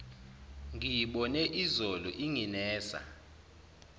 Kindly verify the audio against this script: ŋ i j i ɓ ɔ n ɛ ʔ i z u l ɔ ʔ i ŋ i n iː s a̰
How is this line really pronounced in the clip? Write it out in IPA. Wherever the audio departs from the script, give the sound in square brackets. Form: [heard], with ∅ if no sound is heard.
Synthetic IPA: ŋ i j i ɓ ɔ n ɛ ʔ i z [ɔ] l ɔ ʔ i ŋ i n [ɛː] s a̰